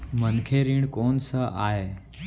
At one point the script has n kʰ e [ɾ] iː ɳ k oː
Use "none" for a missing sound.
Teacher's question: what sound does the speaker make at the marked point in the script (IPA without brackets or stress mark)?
ɾ